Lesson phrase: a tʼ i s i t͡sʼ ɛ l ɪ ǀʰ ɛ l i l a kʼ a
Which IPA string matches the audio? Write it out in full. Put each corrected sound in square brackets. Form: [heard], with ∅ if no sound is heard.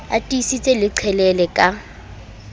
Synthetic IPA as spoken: a tʼ i s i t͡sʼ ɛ l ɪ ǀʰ ɛ l [ɛ] l [ɛ] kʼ a